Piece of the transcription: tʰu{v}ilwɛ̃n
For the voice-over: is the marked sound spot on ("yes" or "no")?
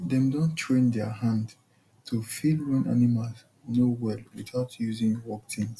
no